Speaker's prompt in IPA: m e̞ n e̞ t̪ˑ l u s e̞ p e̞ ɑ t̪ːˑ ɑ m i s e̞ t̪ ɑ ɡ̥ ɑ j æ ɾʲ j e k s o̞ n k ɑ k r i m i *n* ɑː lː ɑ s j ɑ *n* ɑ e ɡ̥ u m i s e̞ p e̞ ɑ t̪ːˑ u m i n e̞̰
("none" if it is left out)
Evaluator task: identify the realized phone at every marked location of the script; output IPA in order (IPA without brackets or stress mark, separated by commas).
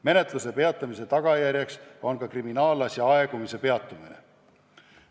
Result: n, none